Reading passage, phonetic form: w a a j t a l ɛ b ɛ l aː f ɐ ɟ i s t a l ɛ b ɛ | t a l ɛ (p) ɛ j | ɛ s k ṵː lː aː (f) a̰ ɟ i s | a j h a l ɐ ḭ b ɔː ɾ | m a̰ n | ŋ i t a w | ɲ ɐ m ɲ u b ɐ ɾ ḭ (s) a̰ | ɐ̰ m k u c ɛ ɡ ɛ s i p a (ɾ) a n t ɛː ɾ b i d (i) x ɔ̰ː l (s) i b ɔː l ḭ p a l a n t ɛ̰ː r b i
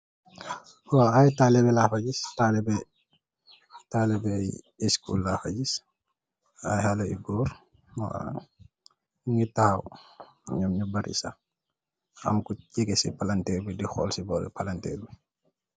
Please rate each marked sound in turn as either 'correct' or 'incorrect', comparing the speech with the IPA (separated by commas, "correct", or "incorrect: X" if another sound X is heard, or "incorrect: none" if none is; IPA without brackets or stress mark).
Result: incorrect: b, correct, correct, incorrect: l, correct, correct